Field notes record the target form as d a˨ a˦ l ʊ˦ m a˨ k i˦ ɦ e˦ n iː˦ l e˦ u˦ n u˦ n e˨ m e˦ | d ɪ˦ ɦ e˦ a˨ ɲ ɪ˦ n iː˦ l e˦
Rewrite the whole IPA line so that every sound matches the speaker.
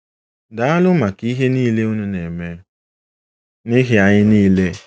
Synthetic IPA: d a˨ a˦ l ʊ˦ m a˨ k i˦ ɦ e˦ n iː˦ l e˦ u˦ n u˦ n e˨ m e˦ | n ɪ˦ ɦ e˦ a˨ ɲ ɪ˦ n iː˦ l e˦